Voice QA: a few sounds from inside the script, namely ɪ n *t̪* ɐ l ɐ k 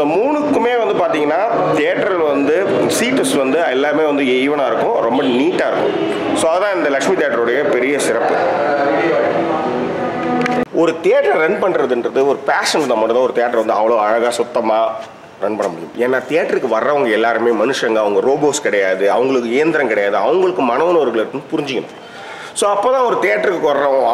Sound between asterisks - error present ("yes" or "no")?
yes